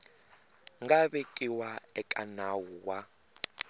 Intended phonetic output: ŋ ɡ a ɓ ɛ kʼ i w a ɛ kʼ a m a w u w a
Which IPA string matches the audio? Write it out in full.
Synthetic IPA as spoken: ŋ ɡ a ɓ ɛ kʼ i w a ɛ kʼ a n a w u w a

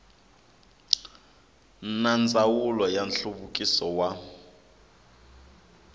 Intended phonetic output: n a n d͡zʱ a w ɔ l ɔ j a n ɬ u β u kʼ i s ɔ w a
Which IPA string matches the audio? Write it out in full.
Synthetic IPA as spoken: n a n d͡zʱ a w u l ɔ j a n ɬ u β u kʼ i s ɔ w a

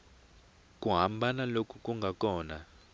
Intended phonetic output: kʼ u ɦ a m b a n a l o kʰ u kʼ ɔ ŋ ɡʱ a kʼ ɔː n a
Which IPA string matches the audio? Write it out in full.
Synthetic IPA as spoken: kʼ u ɦ a m b a n a l o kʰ u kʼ u ŋ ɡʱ a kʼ ɔː n a

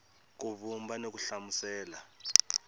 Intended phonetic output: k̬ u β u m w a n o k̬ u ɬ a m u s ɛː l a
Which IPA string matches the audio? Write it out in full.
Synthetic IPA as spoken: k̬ u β u m b a n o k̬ u ɬ a m u s ɛː l a

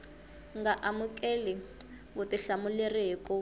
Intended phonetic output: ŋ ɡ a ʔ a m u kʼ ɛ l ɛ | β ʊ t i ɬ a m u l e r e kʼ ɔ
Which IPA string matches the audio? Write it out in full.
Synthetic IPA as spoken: ŋ ɡ a ʔ a m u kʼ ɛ l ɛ | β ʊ t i ɬ a m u l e r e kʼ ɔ

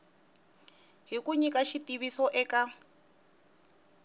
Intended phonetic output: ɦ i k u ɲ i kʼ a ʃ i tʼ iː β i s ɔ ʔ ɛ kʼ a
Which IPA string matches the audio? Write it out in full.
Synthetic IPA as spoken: ɦ i k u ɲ i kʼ a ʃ i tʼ i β i s ɔ ʔ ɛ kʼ a

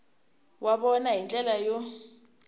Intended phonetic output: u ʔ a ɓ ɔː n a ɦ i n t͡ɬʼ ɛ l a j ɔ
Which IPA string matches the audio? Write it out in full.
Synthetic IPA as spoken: w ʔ a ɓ ɔ n a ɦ i n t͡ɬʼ ɛ l a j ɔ

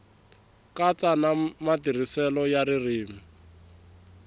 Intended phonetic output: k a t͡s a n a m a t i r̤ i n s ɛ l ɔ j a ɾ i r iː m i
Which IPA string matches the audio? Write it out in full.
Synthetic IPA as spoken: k a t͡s a n a m a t i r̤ i s ɛ l ɔ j a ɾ i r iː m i

